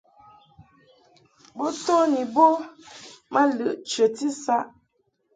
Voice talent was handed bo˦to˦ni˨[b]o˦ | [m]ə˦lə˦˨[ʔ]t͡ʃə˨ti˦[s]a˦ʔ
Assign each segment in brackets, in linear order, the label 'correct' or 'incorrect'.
correct, correct, correct, correct

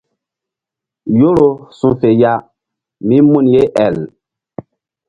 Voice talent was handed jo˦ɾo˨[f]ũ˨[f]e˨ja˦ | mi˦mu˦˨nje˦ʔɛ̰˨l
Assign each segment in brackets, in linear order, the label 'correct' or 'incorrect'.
incorrect: s, correct

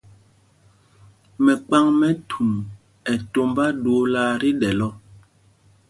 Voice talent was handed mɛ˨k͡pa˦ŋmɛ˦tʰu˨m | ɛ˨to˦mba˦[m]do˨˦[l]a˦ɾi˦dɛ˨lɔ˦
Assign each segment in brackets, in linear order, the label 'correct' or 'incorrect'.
incorrect: none, correct

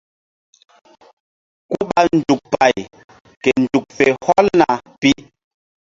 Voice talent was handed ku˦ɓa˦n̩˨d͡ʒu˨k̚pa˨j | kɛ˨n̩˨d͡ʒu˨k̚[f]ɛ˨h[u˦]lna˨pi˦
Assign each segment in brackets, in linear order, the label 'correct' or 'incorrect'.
correct, incorrect: ɔ˦

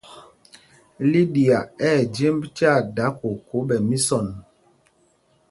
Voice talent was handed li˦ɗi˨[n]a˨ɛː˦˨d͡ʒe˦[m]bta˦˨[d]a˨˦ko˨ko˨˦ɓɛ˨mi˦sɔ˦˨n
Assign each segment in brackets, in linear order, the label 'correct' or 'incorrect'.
incorrect: none, correct, correct

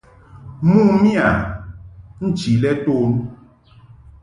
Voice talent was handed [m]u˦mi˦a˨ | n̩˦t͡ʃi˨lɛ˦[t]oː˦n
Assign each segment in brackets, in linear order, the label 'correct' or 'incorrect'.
correct, correct

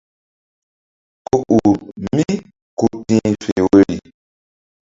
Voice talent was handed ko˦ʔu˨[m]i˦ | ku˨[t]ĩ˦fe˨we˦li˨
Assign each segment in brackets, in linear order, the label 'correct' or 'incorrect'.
correct, correct

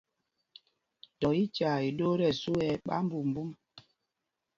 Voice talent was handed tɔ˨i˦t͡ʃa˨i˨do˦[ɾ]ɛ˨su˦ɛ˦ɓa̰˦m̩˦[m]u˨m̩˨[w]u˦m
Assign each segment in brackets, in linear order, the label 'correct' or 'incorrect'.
correct, incorrect: b, incorrect: b

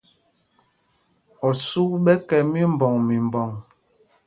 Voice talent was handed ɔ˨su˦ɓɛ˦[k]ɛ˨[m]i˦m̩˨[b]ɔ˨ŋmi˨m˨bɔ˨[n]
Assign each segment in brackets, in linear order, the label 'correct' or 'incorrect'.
correct, correct, correct, incorrect: ŋ

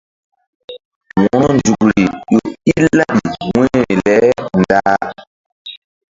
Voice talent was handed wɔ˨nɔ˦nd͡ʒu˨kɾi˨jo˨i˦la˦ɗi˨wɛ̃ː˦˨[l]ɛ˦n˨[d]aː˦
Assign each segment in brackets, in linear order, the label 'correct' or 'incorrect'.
correct, correct

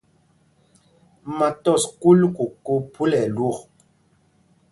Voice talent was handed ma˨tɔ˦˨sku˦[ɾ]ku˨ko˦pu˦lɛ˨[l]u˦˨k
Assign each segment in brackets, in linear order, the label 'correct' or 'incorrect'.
incorrect: l, correct

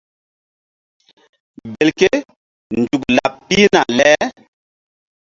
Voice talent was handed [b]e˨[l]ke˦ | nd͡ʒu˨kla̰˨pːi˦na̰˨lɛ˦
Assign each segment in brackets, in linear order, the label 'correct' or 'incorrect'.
correct, correct

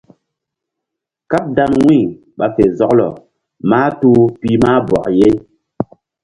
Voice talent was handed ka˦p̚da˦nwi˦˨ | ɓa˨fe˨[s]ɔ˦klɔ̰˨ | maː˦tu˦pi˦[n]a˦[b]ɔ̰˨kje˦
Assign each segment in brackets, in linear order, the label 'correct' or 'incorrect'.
incorrect: z, incorrect: m, correct

